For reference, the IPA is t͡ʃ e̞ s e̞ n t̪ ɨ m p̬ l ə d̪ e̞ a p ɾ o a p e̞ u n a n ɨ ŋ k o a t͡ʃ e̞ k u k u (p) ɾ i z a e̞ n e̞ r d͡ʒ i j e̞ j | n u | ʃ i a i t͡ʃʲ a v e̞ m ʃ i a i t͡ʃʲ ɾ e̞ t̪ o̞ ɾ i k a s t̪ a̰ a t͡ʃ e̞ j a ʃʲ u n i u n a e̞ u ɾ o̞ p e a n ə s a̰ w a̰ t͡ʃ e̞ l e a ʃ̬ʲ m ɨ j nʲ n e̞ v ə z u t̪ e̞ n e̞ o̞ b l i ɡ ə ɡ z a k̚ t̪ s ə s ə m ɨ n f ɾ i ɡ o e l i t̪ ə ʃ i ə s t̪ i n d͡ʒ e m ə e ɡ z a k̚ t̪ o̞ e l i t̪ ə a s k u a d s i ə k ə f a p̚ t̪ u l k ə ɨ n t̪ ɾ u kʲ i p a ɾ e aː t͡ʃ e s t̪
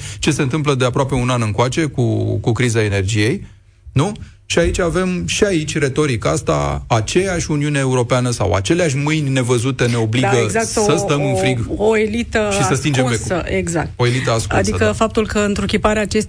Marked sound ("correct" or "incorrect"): incorrect